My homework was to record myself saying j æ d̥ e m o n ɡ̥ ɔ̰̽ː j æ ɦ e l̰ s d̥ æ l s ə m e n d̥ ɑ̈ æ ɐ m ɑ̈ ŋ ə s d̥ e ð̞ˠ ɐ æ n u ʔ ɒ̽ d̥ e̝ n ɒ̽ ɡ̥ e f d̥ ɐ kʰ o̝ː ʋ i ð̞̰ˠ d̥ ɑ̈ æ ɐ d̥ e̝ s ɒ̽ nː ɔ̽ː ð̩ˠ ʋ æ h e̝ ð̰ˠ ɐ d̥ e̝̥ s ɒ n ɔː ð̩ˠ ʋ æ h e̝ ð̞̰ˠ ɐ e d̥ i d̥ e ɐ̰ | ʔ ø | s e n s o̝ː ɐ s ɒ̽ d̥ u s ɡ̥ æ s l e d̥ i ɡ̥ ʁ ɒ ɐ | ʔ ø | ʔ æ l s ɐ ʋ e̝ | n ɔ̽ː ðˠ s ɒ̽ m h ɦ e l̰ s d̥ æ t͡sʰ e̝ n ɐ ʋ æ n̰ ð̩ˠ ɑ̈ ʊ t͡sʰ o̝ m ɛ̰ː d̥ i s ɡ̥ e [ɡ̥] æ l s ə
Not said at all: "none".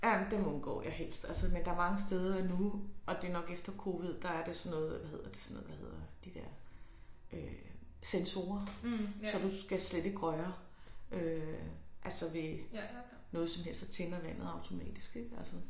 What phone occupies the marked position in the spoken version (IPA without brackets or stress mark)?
ɡ̥